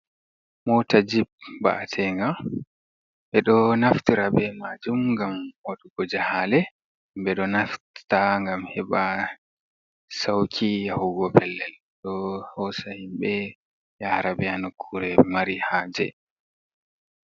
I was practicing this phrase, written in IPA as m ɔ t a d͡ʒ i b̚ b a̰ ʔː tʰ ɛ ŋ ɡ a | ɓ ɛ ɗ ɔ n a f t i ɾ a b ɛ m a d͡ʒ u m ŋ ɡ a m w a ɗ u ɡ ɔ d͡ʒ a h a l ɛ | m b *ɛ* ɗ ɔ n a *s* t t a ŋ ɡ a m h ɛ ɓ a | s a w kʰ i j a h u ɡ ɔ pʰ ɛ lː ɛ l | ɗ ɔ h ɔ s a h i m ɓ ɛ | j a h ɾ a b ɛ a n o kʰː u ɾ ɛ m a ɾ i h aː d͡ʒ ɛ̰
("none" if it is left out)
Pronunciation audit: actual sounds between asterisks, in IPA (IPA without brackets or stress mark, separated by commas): ɛ, f